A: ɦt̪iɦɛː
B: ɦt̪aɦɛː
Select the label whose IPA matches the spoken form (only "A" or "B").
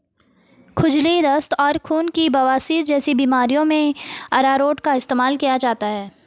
B